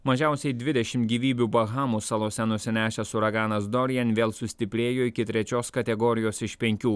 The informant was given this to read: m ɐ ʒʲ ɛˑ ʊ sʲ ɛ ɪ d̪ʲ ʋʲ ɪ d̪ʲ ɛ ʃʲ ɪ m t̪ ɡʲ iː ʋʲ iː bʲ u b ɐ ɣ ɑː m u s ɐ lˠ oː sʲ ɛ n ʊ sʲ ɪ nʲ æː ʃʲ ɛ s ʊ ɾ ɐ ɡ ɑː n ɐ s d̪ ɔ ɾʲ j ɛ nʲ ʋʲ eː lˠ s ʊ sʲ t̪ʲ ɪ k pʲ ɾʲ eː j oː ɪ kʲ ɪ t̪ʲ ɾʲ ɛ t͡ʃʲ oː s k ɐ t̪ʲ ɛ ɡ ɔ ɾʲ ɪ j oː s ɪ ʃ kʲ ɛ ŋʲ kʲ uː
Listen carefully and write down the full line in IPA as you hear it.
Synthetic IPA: m ɐ ʒʲ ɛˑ ʊ sʲ ɛ ɪ d̪ʲ ʋʲ ɪ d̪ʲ ɛ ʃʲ ɪ m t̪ ɡʲ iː ʋʲ iː bʲ u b ɐ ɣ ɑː m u s ɐ lˠ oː sʲ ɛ n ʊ sʲ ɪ nʲ æː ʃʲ ɛ s ʊ ɾ ɐ ɡ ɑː n ɐ s d̪ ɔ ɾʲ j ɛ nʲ ʋʲ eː lˠ s ʊ sʲ t̪ʲ ɪ pʲ ɾʲ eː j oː ɪ kʲ ɪ t̪ʲ ɾʲ ɛ t͡ʃʲ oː s k ɐ t̪ʲ ɛ ɡ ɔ ɾʲ ɪ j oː s ɪ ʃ pʲ ɛ ŋʲ kʲ uː